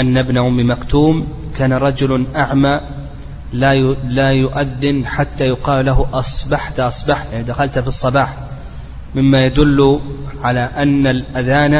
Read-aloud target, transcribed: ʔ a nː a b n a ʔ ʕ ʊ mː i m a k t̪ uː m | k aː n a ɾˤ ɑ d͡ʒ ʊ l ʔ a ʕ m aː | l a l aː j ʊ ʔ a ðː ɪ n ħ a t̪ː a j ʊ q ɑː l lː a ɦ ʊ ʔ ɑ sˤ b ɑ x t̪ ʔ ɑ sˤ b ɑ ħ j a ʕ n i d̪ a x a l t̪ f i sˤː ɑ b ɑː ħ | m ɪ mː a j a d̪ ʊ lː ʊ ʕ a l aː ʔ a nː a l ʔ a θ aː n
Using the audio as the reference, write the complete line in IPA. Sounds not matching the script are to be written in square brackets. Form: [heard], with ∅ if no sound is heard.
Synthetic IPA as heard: ʔ a nː a b n a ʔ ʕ ʊ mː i m a k t̪ uː m | k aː n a ɾˤ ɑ d͡ʒ ʊ l ʔ a ʕ m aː | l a l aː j ʊ ʔ a ðː ɪ n ħ a t̪ː a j ʊ q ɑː l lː a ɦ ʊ ʔ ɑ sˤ b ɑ [ħ] t̪ ʔ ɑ sˤ b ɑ ħ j a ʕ n i d̪ a x a l t̪ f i sˤː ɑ b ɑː ħ | m ɪ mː a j a d̪ ʊ lː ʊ ʕ a l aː ʔ a nː a l ʔ a [ð] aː n